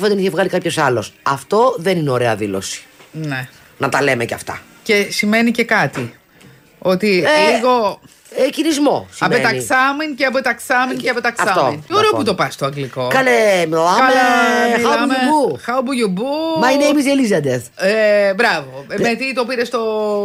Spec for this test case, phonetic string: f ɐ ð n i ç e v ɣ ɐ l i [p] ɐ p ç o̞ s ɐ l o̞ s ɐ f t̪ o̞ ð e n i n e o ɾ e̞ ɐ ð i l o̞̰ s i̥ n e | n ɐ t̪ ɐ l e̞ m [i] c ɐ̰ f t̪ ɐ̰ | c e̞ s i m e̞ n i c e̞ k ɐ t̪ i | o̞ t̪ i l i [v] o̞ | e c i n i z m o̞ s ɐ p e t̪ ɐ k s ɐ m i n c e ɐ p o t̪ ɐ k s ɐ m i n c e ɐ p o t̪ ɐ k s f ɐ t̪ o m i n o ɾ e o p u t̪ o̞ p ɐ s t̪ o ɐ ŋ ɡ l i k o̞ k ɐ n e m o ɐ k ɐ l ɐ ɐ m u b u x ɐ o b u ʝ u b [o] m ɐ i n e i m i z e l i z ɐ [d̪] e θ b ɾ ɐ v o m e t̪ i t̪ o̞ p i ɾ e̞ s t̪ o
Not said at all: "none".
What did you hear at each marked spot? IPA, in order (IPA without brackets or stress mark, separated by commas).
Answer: k, e, ɣ, u, d̪